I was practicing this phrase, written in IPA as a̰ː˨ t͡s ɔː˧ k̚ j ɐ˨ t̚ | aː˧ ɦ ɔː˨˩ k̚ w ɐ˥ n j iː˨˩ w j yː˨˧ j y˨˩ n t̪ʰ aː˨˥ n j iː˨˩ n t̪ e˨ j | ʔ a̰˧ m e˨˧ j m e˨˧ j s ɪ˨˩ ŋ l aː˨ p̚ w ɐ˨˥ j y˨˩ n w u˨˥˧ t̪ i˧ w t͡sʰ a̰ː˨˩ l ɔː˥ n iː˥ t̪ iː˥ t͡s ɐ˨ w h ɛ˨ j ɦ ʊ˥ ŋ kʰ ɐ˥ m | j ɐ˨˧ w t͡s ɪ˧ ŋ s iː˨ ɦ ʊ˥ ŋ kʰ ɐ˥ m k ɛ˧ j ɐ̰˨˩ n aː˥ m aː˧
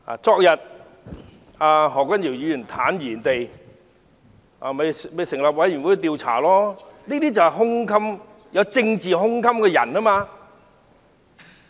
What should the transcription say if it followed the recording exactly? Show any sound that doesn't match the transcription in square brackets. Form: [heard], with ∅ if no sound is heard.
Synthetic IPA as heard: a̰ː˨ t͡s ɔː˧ k̚ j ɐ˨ t̚ | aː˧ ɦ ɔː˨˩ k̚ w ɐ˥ n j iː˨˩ w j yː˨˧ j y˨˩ n t̪ʰ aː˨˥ n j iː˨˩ n t̪ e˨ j | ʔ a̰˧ m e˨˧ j m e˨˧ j s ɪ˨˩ ŋ l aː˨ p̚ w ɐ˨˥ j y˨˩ n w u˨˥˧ t̪ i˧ w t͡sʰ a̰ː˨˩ l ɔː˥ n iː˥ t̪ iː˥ t͡s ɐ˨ w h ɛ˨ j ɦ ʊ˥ ŋ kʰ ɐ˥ m | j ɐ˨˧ w t͡s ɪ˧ ŋ [t͡s] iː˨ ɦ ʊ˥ ŋ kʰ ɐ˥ m k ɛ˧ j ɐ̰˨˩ n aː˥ m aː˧